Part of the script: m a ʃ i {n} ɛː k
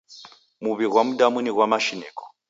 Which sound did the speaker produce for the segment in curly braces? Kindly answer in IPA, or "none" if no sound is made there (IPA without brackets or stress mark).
n